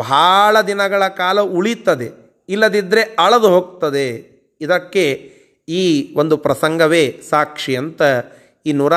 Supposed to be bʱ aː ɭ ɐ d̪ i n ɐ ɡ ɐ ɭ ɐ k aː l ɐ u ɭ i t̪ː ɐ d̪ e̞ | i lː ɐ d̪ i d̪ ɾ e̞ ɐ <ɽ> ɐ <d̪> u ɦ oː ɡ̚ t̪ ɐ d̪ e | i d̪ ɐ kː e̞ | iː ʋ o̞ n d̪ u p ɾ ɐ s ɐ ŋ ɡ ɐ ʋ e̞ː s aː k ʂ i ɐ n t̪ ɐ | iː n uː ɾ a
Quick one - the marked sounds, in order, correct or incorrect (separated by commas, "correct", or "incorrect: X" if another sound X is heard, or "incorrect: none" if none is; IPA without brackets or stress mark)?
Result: incorrect: ɭ, correct